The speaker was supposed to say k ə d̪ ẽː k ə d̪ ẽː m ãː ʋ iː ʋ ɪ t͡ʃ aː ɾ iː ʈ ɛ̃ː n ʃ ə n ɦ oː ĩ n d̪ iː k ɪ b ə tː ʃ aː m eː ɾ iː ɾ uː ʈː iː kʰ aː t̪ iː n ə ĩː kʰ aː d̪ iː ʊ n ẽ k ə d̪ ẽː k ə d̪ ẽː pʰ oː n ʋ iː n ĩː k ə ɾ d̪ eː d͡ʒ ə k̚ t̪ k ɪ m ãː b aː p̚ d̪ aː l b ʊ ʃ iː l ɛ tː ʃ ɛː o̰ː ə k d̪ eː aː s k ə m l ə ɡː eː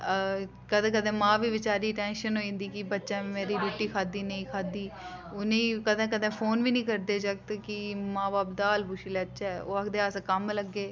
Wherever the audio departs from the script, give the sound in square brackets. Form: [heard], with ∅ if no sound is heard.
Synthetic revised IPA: k ə d̪ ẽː k ə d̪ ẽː m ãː ʋ iː ʋ ɪ t͡ʃ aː ɾ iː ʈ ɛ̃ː n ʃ ə n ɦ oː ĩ n d̪ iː k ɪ b ə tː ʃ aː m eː ɾ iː ɾ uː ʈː iː kʰ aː [d̪] iː n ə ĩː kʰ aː d̪ iː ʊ n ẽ k ə d̪ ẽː k ə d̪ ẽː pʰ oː n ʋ iː n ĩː k ə ɾ d̪ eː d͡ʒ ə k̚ t̪ k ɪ m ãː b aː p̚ d̪ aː l b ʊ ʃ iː l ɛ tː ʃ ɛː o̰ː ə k d̪ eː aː s k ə m l ə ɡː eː